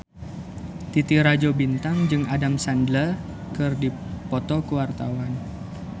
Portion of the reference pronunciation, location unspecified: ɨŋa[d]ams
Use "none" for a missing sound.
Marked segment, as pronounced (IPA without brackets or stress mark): d